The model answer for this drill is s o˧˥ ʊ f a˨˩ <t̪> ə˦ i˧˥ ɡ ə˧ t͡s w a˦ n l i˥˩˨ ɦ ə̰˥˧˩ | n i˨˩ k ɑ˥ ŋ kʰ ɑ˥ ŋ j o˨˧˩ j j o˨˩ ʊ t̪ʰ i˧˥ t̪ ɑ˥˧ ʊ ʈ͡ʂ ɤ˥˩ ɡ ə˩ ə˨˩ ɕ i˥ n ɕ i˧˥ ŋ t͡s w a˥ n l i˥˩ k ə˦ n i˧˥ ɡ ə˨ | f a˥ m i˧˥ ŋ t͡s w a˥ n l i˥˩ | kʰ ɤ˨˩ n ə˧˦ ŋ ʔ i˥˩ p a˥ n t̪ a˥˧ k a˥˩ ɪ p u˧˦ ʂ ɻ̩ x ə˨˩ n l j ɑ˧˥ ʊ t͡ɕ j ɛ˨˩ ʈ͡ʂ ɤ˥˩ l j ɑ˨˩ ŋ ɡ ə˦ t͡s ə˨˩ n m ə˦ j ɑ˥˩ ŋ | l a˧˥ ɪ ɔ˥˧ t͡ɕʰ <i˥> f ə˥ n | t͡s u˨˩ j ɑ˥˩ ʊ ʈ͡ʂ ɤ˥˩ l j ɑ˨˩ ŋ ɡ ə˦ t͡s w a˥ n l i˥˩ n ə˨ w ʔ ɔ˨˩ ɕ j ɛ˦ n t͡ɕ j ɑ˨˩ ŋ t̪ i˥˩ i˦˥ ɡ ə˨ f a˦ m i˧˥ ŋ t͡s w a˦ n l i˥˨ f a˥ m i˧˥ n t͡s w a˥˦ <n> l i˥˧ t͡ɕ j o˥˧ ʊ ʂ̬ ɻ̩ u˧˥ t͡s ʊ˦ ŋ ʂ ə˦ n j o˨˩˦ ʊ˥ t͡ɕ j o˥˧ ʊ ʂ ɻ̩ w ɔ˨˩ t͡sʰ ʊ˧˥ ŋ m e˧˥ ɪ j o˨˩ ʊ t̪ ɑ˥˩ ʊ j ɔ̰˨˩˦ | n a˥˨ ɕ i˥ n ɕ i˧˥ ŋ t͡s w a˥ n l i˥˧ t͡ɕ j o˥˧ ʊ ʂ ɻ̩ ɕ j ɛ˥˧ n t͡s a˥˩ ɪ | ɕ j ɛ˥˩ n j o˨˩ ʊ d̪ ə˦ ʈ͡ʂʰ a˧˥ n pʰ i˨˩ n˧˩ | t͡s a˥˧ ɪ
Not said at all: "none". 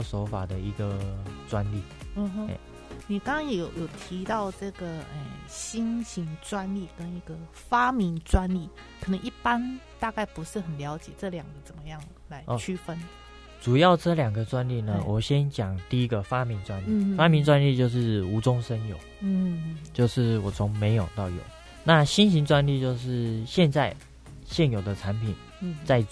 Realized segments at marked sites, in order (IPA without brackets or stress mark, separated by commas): d̪, y˥, n